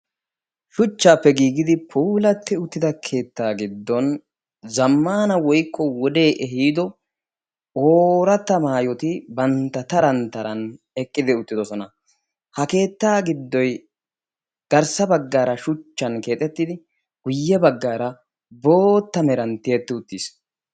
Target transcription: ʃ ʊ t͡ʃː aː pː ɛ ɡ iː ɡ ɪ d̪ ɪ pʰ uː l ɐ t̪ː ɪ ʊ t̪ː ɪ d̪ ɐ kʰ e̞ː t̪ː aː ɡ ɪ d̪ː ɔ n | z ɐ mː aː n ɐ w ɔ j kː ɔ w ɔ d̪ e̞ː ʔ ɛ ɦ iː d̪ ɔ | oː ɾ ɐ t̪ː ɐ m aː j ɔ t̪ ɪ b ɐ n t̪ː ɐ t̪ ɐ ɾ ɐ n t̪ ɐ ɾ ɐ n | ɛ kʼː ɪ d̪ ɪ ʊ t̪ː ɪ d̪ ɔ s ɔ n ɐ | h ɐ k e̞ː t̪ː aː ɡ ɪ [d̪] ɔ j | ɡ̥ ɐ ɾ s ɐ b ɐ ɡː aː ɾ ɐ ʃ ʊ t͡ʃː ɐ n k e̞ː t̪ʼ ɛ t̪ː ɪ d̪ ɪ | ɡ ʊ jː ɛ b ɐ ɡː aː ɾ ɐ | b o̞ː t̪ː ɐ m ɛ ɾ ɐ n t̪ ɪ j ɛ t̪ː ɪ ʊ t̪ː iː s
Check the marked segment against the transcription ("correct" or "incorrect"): incorrect